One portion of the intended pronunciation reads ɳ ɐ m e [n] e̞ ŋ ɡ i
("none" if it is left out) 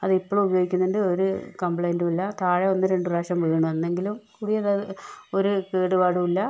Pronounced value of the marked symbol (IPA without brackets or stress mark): nː